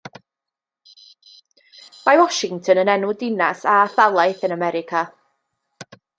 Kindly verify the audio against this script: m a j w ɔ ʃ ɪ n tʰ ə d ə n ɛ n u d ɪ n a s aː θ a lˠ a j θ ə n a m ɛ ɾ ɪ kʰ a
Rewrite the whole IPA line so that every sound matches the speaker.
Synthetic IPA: m a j w ɔ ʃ ɪ ŋ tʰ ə n ə n ɛ n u d ɪ n a s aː θ a lˠ a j θ ə n a m ɛ ɾ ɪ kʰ a

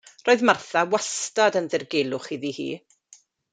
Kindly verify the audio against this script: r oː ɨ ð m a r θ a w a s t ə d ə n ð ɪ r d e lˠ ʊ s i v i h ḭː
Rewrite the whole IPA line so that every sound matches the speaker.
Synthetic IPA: r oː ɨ ð m a r θ a w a s t a d ə n ð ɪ r ɡ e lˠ ʊ χ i ð i h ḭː

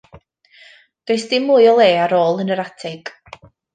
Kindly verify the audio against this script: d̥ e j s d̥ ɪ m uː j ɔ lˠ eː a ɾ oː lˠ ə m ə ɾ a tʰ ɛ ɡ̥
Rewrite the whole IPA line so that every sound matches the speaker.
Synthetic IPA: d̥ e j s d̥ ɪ m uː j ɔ lˠ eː a ɾ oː lˠ ə n ə ɾ a tʰ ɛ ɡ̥

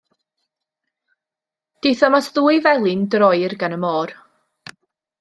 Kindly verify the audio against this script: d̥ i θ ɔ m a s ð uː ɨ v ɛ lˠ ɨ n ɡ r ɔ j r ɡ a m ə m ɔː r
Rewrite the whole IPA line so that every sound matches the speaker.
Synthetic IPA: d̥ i θ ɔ m a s ð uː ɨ v ɛ lˠ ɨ n d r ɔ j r ɡ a n ə m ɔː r

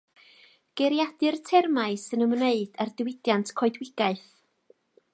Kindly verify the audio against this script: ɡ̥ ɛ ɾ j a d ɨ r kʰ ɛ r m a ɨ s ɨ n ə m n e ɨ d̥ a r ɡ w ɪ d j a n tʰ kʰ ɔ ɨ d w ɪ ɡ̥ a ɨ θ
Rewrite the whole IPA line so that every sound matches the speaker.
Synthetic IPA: ɡ̥ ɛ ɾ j a d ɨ r tʰ ɛ r m a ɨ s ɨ n ə m n e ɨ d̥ a r d w ɪ d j a n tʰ kʰ ɔ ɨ d w ɪ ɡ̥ a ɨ θ

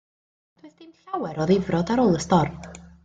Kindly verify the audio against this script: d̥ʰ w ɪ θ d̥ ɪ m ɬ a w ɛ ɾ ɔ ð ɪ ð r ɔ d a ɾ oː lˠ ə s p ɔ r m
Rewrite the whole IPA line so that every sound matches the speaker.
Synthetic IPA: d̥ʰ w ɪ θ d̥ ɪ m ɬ a w ɛ ɾ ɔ ð ɪ v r ɔ d a ɾ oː lˠ ə s t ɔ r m

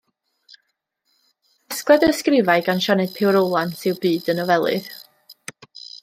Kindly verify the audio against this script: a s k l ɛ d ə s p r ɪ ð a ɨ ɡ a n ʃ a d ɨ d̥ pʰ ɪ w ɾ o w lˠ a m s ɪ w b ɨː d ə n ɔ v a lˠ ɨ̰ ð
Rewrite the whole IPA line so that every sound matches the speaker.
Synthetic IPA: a s k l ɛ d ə s k r ɪ v a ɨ ɡ a n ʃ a n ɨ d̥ pʰ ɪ w ɾ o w lˠ a n s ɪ w b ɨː d ə n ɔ v ɛ lˠ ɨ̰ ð

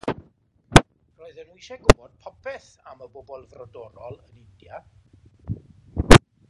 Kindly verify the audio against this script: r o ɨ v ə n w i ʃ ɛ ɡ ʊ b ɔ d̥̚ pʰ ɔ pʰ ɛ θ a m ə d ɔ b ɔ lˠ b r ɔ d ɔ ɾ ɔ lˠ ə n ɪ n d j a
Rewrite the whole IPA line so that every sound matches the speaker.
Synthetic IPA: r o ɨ ð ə n w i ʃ ɛ ɡ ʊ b ɔ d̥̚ pʰ ɔ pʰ ɛ θ a m ə b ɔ b ɔ lˠ v r ɔ d ɔ ɾ ɔ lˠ ə n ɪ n d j a

